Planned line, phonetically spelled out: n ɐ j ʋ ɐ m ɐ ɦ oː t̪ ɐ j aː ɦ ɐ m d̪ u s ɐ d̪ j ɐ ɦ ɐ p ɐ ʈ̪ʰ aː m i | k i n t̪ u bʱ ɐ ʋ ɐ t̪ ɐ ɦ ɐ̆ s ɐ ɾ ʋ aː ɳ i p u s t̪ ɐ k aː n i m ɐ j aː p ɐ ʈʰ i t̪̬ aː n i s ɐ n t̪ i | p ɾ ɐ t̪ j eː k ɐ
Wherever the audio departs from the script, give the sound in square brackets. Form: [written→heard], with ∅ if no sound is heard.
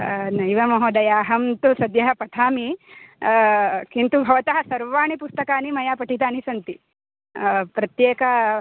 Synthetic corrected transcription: n ɐ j ʋ ɐ m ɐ ɦ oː [t̪→d̪] ɐ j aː ɦ ɐ m [d̪→t̪] u s ɐ d̪ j ɐ ɦ ɐ p ɐ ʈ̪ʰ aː m i | k i n t̪ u bʱ ɐ ʋ ɐ t̪ ɐ ɦ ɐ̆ s ɐ ɾ ʋ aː ɳ i p u s t̪ ɐ k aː n i m ɐ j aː p ɐ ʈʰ i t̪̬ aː n i s ɐ n t̪ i | p ɾ ɐ t̪ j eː k ɐ